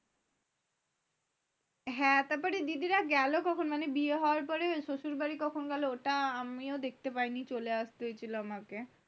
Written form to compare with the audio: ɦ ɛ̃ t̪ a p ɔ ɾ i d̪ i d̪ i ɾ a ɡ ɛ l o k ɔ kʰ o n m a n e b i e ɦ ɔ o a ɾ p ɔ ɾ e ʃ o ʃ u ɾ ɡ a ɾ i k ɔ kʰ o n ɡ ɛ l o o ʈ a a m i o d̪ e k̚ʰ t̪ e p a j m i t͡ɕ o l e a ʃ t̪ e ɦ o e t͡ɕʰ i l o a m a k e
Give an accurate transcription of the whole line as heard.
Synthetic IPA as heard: ɦ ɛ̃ t̪ a p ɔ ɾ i d̪ i d̪ i ɾ a ɡ ɛ l o k ɔ kʰ o n m a n e b i e ɦ ɔ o a ɾ p ɔ ɾ e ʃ o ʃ u ɾ b a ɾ i k ɔ kʰ o n ɡ ɛ l o o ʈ a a m i o d̪ e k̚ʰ t̪ e p a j n i t͡ɕ o l e a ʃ t̪ e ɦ o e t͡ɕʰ i l o a m a k e